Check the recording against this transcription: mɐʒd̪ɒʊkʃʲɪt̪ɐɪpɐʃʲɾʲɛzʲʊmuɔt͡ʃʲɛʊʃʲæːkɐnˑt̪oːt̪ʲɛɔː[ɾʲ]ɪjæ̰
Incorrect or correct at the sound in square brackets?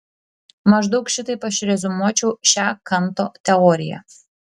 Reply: correct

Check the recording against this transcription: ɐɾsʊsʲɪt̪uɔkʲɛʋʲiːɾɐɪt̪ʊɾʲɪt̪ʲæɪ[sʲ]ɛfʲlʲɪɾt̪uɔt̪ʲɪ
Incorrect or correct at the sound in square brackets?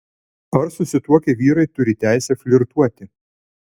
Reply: correct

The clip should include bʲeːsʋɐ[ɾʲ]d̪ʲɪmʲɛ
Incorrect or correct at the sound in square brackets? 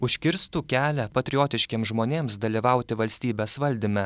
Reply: incorrect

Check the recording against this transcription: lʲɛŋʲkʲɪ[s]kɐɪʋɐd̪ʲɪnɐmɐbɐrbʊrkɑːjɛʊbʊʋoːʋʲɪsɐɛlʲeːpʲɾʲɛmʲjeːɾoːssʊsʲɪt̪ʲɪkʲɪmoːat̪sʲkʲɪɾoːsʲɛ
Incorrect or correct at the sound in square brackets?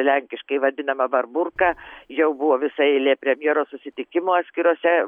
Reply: incorrect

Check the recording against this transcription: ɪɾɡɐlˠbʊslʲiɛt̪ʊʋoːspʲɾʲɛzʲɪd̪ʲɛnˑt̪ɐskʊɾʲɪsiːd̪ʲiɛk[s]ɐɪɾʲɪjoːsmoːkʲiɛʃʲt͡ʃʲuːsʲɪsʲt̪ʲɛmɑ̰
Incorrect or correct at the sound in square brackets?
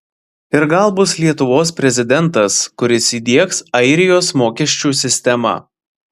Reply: correct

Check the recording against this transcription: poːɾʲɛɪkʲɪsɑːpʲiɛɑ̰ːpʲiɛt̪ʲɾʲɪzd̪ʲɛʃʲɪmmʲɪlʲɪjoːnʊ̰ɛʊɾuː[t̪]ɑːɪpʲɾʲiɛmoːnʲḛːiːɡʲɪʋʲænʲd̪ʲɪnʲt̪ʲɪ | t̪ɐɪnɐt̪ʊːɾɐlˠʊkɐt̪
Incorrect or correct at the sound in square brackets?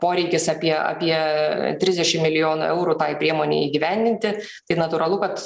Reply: correct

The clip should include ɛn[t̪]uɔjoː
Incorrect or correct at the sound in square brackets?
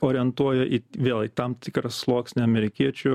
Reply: correct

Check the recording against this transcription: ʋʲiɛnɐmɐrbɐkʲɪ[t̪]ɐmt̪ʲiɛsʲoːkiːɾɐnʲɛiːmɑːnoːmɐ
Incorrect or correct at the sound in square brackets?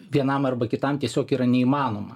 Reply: correct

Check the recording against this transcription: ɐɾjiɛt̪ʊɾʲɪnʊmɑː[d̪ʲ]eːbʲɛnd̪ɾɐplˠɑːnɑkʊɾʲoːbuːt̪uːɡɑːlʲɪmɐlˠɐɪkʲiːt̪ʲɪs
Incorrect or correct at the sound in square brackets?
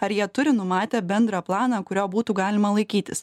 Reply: incorrect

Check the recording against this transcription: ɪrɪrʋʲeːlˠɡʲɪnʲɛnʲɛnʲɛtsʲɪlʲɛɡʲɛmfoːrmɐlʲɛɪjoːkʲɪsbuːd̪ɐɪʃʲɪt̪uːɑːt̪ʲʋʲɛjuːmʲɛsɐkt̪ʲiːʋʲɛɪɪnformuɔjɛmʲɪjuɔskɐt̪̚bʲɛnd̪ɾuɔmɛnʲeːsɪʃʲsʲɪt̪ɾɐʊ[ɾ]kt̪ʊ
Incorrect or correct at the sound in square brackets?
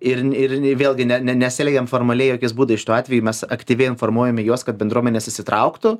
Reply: incorrect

